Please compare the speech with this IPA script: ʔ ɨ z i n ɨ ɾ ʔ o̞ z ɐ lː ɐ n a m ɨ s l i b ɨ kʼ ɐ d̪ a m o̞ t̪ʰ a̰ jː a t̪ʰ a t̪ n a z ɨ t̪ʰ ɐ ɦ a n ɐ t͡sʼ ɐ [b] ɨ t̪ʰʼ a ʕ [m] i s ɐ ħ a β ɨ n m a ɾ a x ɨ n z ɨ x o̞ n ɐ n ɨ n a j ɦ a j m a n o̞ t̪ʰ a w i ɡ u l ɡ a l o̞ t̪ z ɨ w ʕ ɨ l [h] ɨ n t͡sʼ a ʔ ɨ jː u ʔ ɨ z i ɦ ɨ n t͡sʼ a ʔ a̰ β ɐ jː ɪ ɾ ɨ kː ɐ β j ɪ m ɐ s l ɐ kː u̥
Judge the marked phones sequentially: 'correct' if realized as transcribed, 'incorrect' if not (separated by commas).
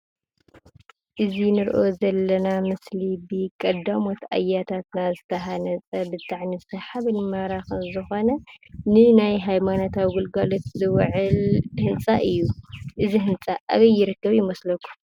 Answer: correct, incorrect, correct